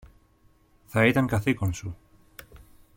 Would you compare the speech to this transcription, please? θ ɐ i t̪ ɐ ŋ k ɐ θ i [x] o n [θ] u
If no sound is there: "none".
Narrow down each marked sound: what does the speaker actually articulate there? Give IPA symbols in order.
k, s

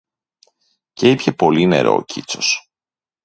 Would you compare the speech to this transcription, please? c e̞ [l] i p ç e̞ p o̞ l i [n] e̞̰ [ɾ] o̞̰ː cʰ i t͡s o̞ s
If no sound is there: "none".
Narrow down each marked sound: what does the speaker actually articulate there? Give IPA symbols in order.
none, n, ɾ

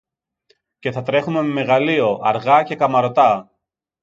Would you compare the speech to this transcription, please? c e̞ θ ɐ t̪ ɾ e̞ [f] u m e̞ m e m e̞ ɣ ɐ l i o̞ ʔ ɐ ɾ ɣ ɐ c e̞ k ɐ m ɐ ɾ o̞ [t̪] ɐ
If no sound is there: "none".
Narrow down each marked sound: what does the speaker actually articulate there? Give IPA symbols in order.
x, t̪

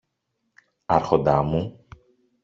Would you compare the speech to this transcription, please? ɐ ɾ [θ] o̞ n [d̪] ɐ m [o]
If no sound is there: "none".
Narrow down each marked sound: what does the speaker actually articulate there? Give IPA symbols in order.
x, d̪, u

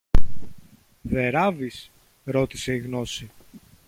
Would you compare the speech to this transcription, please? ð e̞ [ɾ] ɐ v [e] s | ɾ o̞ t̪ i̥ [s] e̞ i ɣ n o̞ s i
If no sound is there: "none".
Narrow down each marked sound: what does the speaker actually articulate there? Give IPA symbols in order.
ɾ, i, s

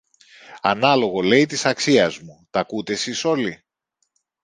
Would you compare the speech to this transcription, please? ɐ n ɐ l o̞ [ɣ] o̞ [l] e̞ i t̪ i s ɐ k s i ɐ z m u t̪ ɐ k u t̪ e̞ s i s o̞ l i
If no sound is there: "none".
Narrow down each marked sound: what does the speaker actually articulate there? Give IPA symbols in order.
ɣ, l

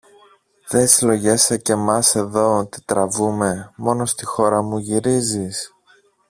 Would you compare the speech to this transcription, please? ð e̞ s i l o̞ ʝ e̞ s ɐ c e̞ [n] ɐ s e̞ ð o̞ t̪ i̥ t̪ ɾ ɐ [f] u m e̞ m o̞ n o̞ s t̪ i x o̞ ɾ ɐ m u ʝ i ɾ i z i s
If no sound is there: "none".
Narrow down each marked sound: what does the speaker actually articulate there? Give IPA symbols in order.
m, v

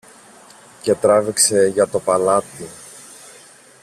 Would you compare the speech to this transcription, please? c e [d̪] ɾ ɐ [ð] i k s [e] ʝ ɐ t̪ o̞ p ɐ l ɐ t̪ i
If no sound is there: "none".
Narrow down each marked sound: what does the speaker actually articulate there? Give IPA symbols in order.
t̪, v, e

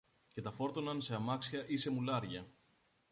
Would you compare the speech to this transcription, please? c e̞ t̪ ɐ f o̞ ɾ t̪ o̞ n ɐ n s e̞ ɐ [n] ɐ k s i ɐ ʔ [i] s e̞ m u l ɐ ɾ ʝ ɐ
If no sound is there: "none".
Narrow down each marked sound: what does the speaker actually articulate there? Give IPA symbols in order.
m, i

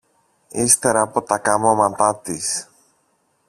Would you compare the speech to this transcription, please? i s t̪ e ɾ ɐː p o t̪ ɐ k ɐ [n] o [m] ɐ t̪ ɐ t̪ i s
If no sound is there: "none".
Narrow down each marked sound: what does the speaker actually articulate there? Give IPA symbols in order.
m, m

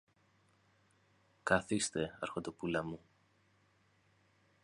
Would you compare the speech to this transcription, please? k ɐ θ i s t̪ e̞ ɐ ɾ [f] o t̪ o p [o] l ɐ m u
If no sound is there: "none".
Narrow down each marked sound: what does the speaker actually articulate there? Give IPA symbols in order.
x, u

